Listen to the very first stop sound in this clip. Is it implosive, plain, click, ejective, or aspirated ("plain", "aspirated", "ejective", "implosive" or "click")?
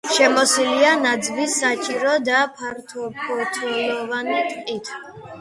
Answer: plain